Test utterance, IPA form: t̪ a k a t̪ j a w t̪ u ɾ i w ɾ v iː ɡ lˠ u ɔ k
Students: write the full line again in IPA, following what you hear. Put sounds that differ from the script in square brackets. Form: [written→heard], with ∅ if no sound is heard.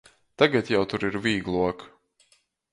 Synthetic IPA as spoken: t̪ a [k→ɡ] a t̪ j a w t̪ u ɾ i [w→∅] ɾ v iː ɡ lˠ u ɔ k